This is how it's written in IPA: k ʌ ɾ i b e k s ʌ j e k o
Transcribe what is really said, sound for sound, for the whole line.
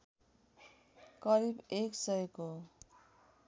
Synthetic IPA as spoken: k ʌ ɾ i b e k s ʌ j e k o